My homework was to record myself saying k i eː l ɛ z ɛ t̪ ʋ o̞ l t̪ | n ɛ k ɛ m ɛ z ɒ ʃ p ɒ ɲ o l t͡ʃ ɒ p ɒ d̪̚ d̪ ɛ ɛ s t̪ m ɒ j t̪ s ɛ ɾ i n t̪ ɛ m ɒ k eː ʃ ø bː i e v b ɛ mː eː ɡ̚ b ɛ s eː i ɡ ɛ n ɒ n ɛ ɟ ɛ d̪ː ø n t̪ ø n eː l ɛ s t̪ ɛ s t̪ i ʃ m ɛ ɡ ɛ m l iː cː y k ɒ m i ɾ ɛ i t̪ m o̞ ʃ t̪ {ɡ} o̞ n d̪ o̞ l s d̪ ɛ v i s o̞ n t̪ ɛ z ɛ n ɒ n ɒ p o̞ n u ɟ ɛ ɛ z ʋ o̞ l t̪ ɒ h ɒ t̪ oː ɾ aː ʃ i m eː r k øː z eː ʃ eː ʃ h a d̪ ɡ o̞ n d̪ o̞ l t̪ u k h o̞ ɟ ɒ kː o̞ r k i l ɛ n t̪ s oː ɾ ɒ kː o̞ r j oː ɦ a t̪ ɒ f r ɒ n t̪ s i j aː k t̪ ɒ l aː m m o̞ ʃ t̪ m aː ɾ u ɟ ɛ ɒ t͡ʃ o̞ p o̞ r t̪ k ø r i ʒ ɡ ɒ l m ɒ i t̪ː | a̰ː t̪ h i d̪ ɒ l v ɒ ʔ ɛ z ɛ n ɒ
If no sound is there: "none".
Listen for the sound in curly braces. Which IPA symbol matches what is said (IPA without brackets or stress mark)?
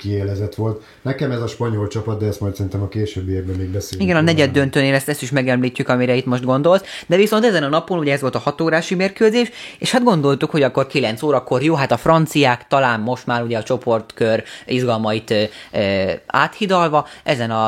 ɡ